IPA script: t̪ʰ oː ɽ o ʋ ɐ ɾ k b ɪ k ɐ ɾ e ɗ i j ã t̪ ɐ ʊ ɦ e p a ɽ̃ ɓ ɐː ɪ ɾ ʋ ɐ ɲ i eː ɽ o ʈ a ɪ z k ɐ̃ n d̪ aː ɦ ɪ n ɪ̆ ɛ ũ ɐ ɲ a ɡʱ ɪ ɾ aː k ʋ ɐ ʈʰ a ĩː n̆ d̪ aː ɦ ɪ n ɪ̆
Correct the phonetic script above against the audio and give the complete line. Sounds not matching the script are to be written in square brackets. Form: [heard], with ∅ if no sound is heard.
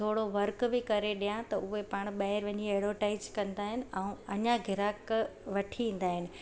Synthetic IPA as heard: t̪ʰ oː ɽ o ʋ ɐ ɾ k b ɪ k ɐ ɾ e ɗ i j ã t̪ ɐ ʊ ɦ e p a ɽ̃ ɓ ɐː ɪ ɾ ʋ ɐ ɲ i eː ɽ o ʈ a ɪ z k ɐ̃ n d̪ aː ɦ ɪ n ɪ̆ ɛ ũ ɐ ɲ a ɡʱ ɪ ɾ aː k ʋ ɐ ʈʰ [i] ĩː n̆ d̪ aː ɦ ɪ n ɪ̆